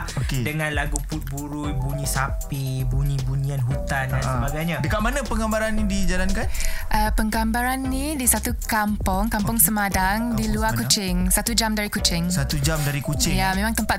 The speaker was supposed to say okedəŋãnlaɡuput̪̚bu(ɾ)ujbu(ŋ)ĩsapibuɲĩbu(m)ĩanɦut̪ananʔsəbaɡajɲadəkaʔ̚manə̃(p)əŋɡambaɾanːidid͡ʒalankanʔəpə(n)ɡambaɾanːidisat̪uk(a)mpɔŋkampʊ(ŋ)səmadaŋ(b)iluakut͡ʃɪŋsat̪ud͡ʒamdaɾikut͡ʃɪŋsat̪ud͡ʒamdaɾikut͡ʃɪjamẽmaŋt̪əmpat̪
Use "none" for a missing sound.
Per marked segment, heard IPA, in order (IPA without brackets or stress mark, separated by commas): ɾ, ɲ, ɲ, p, ŋ, a, ŋ, d